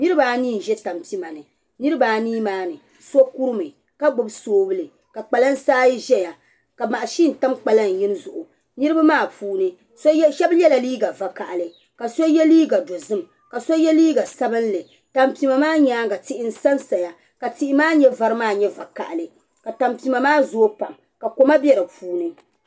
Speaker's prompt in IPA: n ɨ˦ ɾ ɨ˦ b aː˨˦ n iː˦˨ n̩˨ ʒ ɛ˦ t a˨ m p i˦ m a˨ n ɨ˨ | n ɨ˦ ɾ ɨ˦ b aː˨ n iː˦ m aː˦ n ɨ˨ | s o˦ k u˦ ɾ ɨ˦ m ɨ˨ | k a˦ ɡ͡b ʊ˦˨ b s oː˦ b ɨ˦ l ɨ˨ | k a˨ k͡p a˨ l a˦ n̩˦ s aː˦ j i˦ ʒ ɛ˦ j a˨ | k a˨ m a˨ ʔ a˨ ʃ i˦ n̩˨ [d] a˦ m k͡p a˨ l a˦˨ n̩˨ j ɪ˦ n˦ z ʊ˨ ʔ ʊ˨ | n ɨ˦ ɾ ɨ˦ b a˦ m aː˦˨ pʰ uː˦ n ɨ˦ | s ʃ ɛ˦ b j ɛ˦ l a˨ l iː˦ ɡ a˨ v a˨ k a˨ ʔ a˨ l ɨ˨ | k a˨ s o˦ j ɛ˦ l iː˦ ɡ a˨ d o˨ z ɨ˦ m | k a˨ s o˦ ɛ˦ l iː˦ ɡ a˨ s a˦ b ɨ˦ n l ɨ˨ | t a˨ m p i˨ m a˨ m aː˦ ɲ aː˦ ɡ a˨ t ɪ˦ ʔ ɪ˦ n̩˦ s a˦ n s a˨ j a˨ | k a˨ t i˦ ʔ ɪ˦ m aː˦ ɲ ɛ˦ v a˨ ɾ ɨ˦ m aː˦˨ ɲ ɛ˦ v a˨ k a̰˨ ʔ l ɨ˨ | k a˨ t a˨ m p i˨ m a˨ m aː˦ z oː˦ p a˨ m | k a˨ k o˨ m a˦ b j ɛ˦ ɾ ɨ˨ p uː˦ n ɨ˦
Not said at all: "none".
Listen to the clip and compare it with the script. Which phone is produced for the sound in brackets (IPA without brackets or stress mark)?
t